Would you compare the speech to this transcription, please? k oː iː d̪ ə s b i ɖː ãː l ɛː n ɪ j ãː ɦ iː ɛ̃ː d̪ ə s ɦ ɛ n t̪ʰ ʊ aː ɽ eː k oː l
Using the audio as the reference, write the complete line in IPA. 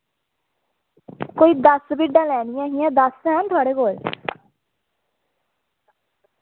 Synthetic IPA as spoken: k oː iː d̪ ə s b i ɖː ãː l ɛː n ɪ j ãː ɦ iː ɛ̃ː d̪ ə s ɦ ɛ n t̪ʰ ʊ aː ɽ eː k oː l